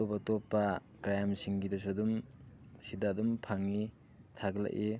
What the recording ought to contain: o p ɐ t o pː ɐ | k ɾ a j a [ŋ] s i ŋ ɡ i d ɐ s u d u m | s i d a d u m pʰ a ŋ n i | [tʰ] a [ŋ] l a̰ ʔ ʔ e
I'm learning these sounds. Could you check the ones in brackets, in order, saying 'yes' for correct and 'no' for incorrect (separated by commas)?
no, yes, no